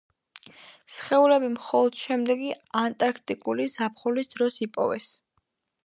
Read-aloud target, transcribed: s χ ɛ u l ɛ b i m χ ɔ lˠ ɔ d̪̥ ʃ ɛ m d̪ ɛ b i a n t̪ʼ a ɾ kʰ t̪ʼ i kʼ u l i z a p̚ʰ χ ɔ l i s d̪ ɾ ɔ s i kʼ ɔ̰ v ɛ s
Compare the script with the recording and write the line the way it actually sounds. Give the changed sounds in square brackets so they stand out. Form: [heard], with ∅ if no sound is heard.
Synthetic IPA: s χ ɛ u l ɛ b i m χ ɔ lˠ ɔ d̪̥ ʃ ɛ m d̪ ɛ [ɡ] i a n t̪ʼ a ɾ kʰ t̪ʼ i kʼ u l i z a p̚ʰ χ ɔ l i s d̪ ɾ ɔ s i [pʼ] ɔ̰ v ɛ s